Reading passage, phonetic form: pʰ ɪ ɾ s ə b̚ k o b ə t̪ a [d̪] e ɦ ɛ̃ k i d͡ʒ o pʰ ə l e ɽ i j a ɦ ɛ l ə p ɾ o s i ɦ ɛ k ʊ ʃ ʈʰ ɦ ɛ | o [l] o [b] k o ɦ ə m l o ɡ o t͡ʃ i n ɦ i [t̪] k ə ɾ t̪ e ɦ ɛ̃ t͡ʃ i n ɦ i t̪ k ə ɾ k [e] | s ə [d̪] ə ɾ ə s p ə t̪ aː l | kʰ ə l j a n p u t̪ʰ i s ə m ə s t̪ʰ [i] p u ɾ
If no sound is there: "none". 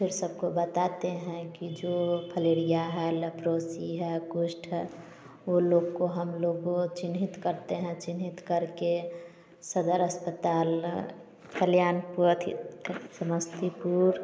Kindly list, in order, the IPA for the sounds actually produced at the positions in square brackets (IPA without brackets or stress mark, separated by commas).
t̪, l, ɡ, t̪, e, d̪, i